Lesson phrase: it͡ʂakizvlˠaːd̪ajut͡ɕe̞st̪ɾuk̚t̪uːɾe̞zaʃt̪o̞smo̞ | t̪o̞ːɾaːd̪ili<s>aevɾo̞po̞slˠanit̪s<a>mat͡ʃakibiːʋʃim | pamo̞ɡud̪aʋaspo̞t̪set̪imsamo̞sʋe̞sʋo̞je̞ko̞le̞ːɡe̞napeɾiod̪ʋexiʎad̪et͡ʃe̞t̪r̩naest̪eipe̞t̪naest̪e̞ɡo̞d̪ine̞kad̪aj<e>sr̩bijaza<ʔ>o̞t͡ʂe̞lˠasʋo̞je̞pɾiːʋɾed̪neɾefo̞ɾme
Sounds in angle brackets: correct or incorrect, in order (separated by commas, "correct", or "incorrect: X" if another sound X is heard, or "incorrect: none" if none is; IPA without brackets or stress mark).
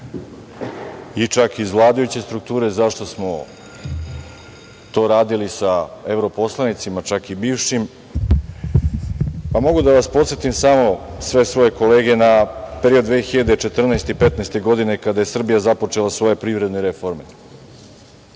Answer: correct, incorrect: i, correct, incorrect: p